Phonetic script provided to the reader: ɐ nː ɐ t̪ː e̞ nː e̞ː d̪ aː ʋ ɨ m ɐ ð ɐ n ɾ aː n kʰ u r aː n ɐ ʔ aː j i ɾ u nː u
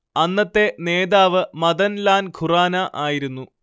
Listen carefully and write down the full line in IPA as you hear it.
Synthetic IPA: ɐ nː ɐ t̪ː e̞ n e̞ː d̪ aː ʋ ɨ m ɐ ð ɐ n l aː n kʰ u r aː n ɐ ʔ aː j i ɾ u nː u